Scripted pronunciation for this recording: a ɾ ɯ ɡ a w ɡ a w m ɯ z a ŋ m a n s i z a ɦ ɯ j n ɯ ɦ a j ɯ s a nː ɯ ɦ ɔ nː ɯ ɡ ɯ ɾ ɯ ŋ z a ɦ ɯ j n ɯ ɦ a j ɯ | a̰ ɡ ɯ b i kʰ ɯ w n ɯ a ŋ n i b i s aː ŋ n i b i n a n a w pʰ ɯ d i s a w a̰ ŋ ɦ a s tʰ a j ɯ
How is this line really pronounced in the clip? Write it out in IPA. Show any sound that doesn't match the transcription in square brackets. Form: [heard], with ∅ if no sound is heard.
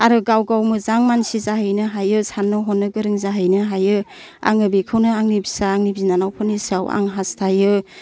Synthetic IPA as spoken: a ɾ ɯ ɡ a w ɡ a w m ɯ z a ŋ m a n s i z a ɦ ɯ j n ɯ ɦ a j ɯ s a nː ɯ ɦ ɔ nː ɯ ɡ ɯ ɾ ɯ ŋ z a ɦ ɯ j n ɯ ɦ a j ɯ | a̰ [ŋ] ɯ b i kʰ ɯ w n ɯ a ŋ n i b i s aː ŋ n i b i n a n a w pʰ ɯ [n] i s a w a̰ ŋ ɦ a s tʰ a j ɯ